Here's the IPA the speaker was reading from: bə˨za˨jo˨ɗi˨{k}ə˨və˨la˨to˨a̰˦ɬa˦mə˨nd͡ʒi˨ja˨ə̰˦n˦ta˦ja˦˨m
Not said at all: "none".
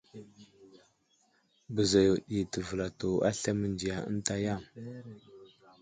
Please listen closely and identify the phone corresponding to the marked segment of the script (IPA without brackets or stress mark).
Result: t